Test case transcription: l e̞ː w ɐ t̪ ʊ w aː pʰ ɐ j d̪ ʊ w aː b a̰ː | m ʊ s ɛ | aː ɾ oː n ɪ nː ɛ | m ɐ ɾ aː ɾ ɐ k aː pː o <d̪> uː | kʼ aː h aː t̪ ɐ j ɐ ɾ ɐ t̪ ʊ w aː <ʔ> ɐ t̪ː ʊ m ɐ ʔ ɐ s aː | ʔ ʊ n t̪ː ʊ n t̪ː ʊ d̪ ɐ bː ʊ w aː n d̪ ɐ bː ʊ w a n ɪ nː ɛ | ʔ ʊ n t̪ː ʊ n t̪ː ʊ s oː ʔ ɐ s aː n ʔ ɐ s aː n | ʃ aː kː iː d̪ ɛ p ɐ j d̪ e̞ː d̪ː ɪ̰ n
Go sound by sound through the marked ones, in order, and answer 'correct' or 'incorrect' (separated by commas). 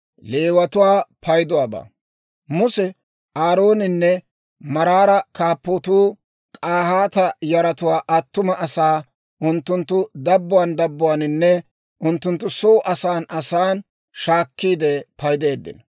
incorrect, correct